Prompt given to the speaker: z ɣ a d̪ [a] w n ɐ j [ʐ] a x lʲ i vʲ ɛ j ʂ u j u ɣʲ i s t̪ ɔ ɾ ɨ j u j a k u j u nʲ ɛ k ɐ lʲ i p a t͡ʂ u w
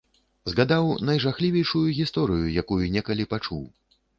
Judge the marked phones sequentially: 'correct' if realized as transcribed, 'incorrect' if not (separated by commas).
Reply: correct, correct